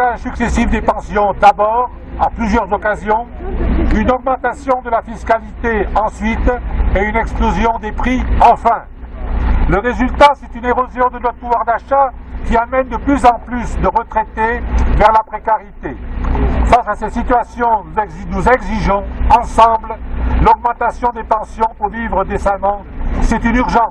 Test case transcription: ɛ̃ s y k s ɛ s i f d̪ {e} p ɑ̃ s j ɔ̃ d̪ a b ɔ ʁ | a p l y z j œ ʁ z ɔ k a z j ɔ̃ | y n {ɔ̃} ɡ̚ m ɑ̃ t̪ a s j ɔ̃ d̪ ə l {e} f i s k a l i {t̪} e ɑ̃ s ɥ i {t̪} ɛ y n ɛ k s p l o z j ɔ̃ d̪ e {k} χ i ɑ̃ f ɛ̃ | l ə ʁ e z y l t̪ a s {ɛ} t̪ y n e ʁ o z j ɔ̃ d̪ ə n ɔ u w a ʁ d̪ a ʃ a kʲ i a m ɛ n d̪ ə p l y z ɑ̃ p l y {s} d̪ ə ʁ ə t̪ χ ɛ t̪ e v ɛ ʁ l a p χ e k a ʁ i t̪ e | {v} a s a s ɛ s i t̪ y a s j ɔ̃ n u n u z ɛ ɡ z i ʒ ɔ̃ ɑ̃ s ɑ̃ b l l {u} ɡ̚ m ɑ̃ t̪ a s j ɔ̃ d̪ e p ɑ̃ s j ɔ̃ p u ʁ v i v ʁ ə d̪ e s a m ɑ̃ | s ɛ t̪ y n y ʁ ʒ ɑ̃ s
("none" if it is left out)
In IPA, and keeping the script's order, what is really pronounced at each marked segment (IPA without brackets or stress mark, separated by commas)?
e, ɔ, a, t̪, t̪, p, ɛ, s, f, ɔ